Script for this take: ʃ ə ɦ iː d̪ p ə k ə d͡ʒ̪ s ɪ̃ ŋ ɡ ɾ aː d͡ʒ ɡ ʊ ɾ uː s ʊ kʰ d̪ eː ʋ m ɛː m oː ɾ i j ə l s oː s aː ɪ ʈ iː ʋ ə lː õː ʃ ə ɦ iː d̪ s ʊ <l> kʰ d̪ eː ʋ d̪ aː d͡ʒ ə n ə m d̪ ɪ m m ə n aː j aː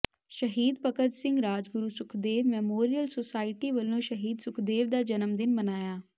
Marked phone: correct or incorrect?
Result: incorrect